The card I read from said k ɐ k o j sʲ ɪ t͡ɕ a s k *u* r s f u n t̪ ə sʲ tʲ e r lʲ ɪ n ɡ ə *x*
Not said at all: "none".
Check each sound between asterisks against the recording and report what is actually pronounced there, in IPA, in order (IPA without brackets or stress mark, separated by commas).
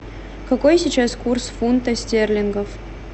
u, f